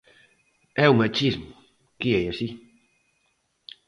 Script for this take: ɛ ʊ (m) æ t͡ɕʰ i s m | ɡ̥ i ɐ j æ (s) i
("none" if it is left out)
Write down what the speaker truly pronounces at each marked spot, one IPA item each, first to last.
m, s

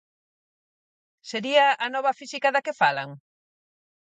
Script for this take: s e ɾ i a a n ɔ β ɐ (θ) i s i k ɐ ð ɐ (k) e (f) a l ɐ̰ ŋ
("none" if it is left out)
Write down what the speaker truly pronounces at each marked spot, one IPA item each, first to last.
f, k, f

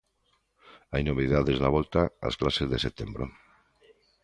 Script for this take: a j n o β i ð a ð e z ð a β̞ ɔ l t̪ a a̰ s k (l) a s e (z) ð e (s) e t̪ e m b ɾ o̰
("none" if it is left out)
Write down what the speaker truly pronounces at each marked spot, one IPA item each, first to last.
l, z, s

